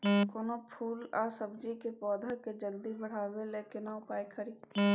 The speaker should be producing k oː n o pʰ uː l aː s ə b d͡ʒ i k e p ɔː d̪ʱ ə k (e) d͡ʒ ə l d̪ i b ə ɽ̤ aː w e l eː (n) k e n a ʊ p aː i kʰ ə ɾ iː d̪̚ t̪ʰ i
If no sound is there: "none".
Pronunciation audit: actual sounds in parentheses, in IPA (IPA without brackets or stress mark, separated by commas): e, none